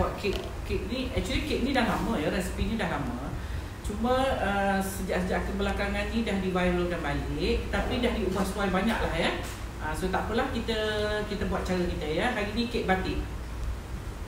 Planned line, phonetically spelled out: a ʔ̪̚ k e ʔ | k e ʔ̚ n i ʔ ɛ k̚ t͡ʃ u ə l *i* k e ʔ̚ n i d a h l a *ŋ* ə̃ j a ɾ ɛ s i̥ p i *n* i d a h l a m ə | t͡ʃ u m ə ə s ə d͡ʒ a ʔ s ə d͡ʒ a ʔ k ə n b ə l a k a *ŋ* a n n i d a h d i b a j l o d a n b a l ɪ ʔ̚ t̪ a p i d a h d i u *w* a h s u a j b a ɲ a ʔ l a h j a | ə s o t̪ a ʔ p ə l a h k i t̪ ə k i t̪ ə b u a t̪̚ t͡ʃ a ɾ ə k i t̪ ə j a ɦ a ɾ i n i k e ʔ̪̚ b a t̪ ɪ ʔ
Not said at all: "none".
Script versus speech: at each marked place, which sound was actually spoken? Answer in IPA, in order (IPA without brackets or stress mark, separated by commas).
i, m, n, ŋ, b